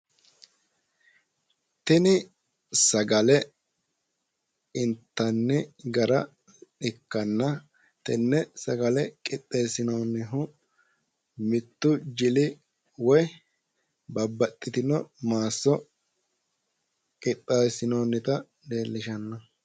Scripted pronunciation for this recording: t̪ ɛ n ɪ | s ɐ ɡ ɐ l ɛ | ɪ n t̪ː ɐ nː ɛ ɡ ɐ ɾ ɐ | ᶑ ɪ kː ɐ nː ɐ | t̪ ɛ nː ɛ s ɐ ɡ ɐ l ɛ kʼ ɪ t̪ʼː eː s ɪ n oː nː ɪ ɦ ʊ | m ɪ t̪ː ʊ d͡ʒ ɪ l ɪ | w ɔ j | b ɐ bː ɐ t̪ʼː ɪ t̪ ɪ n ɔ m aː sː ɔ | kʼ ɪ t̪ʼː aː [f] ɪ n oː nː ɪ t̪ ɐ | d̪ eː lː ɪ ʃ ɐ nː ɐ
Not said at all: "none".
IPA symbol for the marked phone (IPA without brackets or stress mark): s